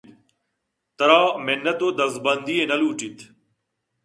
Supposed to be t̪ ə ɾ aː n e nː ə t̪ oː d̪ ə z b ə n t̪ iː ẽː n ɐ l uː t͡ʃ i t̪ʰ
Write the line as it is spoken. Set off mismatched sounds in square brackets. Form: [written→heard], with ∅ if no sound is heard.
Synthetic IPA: t̪ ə ɾ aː [n→m] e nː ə t̪ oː d̪ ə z b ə n [t̪→d̪] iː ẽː n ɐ l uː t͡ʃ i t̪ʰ